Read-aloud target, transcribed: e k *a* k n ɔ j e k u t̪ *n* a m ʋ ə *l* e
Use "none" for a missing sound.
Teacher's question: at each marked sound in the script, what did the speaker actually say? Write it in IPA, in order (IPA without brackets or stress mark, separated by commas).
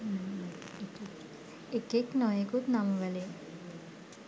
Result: e, n, l